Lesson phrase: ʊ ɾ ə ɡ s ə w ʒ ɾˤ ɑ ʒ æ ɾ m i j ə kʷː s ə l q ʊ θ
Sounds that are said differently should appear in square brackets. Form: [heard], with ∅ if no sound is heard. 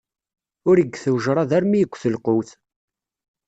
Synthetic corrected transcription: ʊ ɾ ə ɡ [θ] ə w ʒ ɾˤ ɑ [ð] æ ɾ m i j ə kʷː [θ] ə l q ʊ θ

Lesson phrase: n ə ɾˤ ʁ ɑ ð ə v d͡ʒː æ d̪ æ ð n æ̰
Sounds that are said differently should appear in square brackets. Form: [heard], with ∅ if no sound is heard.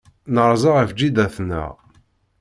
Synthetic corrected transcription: n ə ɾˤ [z] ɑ [ʁ] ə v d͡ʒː [i] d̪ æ [θ] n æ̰

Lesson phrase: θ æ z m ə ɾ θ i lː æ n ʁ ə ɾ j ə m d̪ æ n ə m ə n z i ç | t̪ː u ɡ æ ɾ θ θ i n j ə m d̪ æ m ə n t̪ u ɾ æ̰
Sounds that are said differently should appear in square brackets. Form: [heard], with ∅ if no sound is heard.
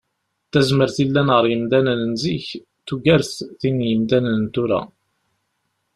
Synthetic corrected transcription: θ æ z m ə ɾ θ i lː æ n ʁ ə ɾ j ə m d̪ æ n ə [n] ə n z i ç | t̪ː u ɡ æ ɾ θ θ i n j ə m d̪ æ [n] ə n t̪ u ɾ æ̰

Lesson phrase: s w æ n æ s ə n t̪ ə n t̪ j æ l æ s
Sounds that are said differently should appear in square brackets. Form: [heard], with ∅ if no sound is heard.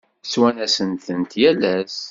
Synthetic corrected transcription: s w æ n æ s ə n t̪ ə n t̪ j æ l æ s

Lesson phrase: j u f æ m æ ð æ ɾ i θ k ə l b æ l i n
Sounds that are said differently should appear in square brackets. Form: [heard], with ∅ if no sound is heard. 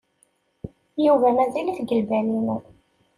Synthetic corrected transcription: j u [v] æ m æ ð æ [l] i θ [ɡ] ə l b æ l i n

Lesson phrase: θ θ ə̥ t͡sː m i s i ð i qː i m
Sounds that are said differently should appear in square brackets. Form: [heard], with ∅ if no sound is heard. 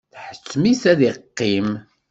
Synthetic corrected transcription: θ [ħ] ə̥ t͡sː m i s [æ] ð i qː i m

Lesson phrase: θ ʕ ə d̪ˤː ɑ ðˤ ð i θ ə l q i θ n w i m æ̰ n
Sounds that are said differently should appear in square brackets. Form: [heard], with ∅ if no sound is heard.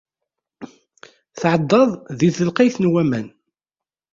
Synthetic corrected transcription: θ ʕ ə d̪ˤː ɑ ðˤ ð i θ ə l q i θ n w [æ] m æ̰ n

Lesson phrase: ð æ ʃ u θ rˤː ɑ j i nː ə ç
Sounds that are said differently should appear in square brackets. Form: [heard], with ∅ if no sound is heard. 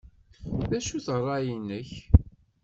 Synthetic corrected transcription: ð æ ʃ u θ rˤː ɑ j i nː ə ç

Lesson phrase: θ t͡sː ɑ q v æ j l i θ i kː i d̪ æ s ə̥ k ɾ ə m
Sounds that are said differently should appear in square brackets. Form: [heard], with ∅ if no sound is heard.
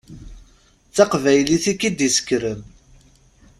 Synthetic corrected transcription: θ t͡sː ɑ q v æ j l i θ i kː i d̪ [i] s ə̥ k ɾ ə m

